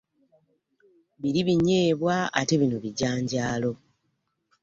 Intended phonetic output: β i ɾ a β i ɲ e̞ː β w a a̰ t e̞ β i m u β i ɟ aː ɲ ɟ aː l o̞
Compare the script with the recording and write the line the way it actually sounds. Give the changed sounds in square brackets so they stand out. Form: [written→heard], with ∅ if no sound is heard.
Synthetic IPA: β i ɾ [a→i] β i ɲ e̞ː β w a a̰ t e̞ β i [m→n] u β i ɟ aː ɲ ɟ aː l o̞